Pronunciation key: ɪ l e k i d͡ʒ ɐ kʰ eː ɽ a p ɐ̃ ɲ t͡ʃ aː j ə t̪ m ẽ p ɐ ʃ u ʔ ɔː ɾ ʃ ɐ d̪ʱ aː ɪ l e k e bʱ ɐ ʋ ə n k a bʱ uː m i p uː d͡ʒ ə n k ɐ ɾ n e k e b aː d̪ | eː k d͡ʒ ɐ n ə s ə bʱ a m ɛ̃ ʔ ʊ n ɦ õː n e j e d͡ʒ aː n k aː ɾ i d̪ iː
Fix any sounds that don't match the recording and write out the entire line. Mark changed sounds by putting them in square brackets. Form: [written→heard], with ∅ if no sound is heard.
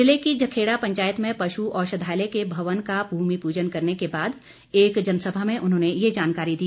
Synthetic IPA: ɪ l e k i d͡ʒ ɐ kʰ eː ɽ a p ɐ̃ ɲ t͡ʃ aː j ə t̪ m ẽ p ɐ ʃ u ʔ ɔː ɾ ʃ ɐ d̪ʱ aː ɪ l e k e bʱ ɐ ʋ ə n k a bʱ uː m i p uː d͡ʒ ə n k ɐ ɾ n e k e b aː d̪ | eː k d͡ʒ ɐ n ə s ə bʱ a m [ɛ̃→ẽ] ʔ ʊ n ɦ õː n e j e d͡ʒ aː n k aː ɾ i d̪ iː

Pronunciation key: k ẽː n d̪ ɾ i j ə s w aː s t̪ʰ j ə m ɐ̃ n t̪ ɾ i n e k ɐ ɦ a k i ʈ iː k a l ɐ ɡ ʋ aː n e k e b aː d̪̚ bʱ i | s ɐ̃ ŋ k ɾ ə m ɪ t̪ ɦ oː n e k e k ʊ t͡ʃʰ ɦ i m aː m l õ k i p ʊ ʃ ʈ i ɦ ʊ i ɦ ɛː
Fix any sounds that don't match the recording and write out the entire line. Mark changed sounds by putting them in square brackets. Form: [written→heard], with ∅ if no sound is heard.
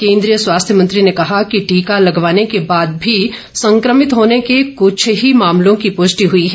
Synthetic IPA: k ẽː n d̪ ɾ i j ə s w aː s t̪ʰ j ə m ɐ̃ n t̪ ɾ i n e k ɐ ɦ a k i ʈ iː k a l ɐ ɡ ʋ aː n e k e b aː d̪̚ bʱ i | s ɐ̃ ŋ k ɾ ə m ɪ t̪ ɦ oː n e k e k ʊ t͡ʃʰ ɦ i m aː m l õ k i p ʊ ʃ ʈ i ɦ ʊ i ɦ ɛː

